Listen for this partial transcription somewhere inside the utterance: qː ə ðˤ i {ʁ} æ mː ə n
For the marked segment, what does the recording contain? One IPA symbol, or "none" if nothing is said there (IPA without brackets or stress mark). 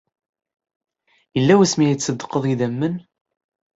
ð